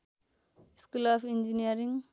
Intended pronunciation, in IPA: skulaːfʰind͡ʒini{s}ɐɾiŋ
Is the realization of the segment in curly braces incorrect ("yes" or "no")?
yes